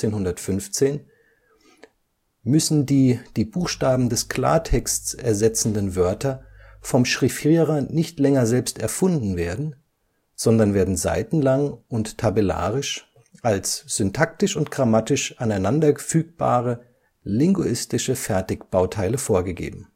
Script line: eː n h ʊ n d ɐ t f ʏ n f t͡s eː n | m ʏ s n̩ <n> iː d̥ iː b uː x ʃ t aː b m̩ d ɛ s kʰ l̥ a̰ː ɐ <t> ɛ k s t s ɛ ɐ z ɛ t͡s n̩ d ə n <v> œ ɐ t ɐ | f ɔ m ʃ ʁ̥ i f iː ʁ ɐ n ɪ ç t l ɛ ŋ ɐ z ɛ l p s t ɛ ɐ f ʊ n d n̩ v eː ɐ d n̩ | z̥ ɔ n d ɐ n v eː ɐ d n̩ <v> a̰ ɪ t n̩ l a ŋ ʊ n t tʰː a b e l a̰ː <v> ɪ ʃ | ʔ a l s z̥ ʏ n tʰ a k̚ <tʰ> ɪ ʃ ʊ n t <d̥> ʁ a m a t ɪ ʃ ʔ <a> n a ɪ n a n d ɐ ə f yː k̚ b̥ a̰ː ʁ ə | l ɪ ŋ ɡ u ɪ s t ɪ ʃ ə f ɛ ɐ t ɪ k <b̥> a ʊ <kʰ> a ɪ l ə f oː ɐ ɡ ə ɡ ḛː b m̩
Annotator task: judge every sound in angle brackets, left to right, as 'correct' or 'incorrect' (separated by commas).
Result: incorrect, incorrect, correct, incorrect, incorrect, incorrect, incorrect, correct, correct, incorrect